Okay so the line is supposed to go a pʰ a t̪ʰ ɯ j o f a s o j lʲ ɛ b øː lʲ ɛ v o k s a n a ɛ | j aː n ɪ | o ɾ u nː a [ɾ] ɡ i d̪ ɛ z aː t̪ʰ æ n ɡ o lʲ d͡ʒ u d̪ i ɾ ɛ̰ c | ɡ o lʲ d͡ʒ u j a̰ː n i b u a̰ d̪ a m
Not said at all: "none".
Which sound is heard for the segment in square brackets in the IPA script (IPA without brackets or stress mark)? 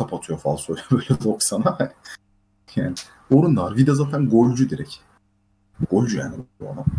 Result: ɾ